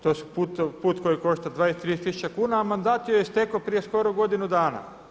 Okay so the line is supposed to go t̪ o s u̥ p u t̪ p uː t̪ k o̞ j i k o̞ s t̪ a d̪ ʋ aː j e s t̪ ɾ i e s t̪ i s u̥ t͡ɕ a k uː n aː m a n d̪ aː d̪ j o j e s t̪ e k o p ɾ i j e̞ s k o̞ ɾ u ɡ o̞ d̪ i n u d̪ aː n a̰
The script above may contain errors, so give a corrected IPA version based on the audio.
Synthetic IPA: t̪ o s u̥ p u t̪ p uː t̪ k o̞ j i k o̞ ʃ t̪ a d̪ ʋ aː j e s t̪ ɾ i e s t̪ i s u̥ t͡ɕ a k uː n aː m a n d̪ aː t̪ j o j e s t̪ e k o p ɾ i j e̞ s k o̞ ɾ o ɡ o̞ d̪ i n u d̪ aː n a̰